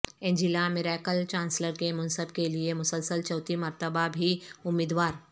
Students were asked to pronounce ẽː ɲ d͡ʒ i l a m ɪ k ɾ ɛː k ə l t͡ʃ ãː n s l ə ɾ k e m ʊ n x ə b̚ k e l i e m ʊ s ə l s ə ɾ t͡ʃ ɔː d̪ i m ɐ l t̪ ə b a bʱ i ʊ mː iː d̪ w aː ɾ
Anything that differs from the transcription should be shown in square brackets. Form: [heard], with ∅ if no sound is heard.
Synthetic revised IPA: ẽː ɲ d͡ʒ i l a m ɪ [∅] ɾ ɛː k ə l t͡ʃ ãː n s l ə ɾ k e m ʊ n [s] ə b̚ k e l i e m ʊ s ə l s ə [l] t͡ʃ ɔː [t̪] i m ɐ [ɾ] t̪ ə b a bʱ i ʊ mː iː d̪ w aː ɾ